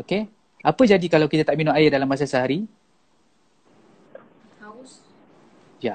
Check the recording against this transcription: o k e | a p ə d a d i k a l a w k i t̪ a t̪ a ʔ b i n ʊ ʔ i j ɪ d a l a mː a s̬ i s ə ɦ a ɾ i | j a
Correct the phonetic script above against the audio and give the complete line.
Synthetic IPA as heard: o k e | a p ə d͡ʒ a d i k a l a w k i t̪ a t̪ a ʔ m i n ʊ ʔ a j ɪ d a l a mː a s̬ a s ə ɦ a ɾ i | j a